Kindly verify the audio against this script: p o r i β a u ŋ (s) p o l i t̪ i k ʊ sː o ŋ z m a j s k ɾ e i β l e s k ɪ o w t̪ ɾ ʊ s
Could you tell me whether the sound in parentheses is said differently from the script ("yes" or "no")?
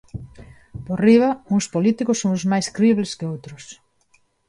no